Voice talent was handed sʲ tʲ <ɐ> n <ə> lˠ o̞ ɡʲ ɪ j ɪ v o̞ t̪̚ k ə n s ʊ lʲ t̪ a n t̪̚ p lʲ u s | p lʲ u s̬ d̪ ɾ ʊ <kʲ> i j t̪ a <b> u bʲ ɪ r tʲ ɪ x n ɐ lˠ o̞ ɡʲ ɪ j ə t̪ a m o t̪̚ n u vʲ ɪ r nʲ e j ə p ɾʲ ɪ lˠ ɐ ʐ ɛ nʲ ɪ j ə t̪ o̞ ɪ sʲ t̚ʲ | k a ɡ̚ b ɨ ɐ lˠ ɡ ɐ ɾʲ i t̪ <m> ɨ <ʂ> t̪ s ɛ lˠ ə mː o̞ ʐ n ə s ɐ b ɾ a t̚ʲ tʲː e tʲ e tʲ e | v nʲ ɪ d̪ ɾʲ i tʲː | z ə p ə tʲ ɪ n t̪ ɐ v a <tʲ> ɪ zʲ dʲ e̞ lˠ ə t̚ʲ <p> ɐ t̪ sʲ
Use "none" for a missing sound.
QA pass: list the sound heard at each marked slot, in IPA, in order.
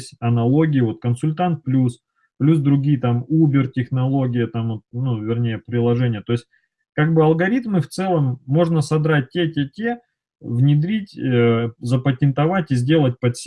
ɐ, ɐ, ɡʲ, m, m, f, tʲ, p

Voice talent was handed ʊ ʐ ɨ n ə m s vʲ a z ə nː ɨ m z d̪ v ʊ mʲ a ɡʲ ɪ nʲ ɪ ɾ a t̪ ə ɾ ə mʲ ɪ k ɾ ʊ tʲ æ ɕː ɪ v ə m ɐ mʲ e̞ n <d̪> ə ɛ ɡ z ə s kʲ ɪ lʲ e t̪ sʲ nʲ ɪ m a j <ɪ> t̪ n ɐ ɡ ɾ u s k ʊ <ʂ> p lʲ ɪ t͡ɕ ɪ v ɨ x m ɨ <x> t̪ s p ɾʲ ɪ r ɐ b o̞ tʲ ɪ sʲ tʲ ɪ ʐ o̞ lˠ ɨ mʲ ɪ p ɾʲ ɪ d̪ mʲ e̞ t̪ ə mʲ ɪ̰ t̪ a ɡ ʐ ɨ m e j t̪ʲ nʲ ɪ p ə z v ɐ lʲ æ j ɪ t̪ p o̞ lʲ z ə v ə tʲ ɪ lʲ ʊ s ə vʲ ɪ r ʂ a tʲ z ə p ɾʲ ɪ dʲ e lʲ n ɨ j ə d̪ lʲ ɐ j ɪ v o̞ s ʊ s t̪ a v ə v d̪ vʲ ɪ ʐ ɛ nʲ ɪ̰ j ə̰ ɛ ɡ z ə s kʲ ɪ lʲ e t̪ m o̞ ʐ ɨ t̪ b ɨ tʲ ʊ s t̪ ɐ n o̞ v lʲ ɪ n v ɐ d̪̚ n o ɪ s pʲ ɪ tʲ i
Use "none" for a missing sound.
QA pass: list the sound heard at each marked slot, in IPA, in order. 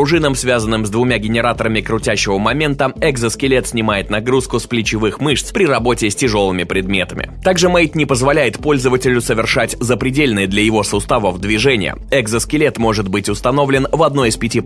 t̪, ɪ, s, ʂ

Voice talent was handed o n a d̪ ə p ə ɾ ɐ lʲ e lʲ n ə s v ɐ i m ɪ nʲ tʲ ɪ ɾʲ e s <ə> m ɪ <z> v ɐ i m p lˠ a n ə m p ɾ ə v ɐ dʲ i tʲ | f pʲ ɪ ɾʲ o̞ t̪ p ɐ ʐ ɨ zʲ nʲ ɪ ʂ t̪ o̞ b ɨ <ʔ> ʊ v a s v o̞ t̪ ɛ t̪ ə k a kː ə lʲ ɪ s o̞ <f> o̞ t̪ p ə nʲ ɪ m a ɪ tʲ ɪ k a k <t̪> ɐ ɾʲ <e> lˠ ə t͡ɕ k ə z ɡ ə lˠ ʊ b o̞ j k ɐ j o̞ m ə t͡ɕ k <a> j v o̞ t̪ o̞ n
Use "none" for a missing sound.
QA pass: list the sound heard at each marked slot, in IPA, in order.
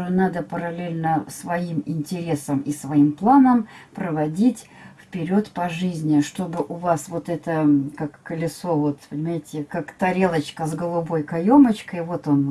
ə, s, ʔ, v, t̪, e, ə

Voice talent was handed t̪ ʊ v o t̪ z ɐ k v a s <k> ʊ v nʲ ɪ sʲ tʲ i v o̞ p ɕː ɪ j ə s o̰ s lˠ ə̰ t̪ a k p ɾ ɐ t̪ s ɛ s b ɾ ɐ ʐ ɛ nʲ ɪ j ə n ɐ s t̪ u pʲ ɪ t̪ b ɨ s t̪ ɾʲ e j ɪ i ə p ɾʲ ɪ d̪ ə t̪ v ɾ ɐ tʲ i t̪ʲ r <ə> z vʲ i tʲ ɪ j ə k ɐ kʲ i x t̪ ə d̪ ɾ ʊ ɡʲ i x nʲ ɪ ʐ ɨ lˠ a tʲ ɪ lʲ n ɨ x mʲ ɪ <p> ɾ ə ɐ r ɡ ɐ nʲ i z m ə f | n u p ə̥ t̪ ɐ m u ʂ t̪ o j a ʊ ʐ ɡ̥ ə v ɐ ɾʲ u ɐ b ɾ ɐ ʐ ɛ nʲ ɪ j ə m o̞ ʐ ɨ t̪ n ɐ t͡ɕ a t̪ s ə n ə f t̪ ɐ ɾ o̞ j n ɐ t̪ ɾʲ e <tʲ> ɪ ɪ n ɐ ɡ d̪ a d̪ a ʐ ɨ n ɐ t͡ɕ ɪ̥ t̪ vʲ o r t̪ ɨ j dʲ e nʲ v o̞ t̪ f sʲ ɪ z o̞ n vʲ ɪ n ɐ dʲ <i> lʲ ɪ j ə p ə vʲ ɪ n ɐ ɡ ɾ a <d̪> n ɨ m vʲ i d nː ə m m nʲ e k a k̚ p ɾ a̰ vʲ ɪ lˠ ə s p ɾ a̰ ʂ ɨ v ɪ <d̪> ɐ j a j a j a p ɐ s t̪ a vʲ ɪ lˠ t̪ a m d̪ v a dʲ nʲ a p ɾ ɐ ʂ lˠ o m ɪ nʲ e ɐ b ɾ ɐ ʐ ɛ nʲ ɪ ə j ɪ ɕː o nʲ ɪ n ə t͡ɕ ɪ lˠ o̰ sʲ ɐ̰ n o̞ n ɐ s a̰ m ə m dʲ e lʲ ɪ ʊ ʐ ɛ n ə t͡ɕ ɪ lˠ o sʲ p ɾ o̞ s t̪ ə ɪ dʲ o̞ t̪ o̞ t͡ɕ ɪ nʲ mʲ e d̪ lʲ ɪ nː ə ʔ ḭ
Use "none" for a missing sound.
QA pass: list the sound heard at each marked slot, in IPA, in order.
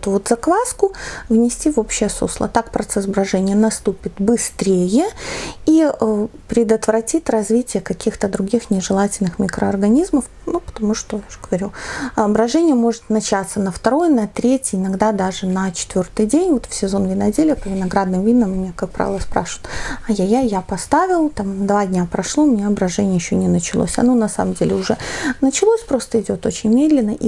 k, ɐ, k, tʲ, e, d̪, t̪

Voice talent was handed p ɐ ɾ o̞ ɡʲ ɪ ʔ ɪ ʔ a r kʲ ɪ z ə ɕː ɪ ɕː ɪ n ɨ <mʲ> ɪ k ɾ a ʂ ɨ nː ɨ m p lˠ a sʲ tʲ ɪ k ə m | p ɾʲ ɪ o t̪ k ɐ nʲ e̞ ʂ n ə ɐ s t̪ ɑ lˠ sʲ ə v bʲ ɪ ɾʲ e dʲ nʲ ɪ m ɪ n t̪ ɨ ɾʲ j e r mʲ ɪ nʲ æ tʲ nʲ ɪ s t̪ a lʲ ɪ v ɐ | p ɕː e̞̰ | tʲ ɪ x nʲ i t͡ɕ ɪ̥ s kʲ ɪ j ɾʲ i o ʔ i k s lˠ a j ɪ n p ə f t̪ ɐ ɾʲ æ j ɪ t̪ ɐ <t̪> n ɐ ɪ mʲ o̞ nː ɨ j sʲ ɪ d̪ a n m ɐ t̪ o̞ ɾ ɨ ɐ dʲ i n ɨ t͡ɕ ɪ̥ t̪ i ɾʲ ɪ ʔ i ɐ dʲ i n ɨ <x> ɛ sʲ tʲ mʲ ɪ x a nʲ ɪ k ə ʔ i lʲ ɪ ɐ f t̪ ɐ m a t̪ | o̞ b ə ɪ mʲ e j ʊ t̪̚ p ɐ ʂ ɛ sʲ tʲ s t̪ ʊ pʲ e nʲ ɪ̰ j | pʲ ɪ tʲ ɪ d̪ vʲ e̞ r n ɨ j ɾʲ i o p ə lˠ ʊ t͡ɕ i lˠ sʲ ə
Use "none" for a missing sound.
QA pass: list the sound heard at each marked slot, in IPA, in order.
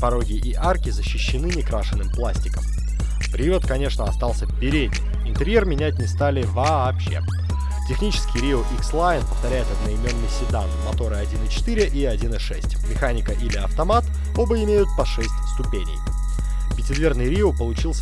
nʲ, d̪, ʂ

